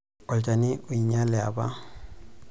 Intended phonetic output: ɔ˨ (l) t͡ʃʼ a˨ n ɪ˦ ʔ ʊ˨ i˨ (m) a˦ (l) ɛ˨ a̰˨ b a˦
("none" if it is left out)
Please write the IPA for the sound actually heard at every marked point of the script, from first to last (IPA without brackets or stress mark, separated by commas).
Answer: l, ɲ, l